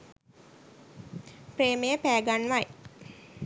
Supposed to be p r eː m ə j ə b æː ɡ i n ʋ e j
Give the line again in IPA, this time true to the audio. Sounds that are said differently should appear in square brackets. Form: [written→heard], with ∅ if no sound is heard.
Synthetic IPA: p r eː m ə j ə [b→p] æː ɡ [i→a] n ʋ [e→a] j